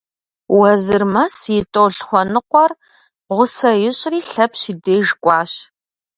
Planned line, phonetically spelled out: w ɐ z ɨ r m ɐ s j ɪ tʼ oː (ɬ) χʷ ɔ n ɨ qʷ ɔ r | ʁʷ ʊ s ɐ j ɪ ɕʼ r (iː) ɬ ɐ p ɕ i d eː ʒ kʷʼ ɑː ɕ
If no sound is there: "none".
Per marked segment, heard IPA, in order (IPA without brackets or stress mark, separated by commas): ɬ, iː